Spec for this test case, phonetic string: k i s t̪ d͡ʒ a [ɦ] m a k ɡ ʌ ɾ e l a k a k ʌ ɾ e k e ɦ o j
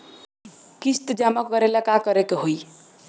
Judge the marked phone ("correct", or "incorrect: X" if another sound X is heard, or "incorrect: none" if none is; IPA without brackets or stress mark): incorrect: none